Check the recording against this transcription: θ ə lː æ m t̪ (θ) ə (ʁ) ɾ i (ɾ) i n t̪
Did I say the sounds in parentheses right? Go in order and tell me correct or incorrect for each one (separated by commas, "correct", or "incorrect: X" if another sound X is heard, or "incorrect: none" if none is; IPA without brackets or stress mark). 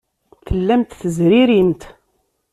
correct, incorrect: z, correct